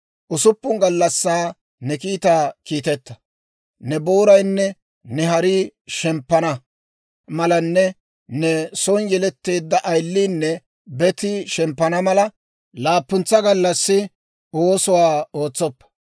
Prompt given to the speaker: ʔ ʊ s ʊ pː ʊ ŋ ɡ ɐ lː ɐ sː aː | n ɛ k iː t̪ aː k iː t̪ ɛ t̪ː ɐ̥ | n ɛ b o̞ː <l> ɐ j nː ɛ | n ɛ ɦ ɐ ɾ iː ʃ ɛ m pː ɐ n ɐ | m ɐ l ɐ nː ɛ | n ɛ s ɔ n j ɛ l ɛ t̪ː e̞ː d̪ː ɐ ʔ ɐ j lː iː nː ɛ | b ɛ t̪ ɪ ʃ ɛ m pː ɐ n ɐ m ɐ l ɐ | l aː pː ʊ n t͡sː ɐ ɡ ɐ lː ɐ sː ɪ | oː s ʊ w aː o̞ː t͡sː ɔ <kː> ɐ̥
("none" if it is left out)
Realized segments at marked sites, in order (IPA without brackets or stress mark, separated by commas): ɾ, pː